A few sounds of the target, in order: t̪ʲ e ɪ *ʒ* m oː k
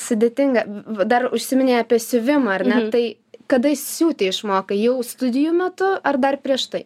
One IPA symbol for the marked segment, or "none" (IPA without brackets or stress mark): ʃ